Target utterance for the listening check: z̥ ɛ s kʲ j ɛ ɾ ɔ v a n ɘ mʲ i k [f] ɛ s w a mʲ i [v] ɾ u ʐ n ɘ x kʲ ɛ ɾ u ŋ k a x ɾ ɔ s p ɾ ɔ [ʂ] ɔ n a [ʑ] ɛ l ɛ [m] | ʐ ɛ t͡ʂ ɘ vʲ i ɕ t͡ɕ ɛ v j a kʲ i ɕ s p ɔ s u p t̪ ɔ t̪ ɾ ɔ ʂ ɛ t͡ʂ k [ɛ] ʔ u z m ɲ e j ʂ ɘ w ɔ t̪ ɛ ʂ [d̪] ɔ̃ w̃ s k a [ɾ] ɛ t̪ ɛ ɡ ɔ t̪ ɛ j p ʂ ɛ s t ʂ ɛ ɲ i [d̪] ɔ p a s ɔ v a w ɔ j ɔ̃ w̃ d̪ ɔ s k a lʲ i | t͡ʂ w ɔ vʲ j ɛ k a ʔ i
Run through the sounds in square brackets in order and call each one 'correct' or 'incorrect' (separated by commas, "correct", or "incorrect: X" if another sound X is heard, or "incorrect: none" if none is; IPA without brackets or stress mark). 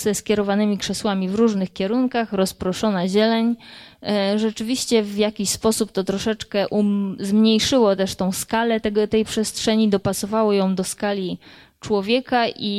incorrect: ʂ, correct, correct, correct, incorrect: ɲ, correct, incorrect: t̪, incorrect: l, correct